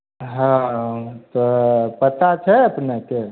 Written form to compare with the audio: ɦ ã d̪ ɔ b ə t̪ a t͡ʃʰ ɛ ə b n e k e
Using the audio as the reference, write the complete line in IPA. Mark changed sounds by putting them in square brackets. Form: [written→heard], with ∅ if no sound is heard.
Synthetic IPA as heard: ɦ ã [d̪→t̪] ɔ [b→p] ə t̪ a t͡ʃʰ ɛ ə [b→p] n e k e